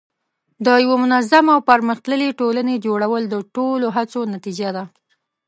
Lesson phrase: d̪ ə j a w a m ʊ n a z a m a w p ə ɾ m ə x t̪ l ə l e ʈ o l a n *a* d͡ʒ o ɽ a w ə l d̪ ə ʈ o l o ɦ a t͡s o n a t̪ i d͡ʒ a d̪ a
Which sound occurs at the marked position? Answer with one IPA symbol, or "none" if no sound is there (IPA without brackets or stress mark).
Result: e